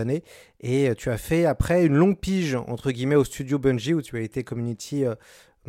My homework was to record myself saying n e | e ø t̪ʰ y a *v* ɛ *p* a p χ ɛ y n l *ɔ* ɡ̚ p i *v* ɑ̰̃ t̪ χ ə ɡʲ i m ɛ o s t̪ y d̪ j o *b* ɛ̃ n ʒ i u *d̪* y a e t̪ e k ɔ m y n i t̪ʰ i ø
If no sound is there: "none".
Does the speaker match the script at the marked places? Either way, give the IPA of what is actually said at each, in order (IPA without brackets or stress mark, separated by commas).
f, none, ɔ̃, ʒ, b, t̪